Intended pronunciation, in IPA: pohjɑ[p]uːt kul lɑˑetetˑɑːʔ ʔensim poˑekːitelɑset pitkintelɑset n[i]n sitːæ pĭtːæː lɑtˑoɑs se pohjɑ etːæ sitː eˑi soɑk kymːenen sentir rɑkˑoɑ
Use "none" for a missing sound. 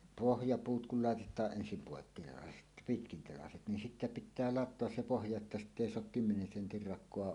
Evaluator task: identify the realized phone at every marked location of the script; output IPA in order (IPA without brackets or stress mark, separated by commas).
p, i